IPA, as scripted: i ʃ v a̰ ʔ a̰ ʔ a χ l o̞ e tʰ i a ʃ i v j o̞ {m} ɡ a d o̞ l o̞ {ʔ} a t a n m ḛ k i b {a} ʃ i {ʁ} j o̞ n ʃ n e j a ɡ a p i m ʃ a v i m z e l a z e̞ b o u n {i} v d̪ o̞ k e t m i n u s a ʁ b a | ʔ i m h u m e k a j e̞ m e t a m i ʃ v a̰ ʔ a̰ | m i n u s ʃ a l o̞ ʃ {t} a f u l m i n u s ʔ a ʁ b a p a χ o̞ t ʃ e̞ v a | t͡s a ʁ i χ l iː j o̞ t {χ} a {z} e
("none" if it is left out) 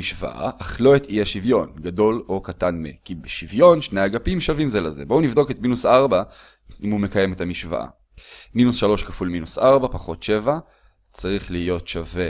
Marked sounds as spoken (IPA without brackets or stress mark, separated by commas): n, k, e, v, i, k, ʃ, v